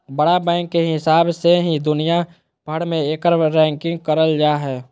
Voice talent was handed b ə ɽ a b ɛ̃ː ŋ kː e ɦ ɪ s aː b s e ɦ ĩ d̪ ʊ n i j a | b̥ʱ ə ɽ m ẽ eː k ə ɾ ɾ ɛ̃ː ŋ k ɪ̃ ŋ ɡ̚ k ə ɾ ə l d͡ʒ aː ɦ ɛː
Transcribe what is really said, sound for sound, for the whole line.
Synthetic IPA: b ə ɽ a b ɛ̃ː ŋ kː e ɦ ɪ s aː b s e ɦ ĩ d̪ ʊ n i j a | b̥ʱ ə ɽ m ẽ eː k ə ɾ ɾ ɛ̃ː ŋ k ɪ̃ ŋ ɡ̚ k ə ɾ ə l d͡ʒ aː ɦ ɛː